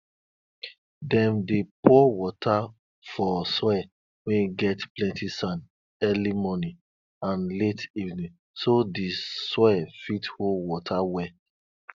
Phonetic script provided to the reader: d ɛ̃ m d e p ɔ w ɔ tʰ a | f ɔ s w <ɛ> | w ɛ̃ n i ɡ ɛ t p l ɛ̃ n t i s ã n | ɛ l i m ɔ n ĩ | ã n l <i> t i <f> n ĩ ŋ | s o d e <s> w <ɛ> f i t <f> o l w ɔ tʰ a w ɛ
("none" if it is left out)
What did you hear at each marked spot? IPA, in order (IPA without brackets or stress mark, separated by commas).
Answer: ɛ, e, v, s, ɛ, h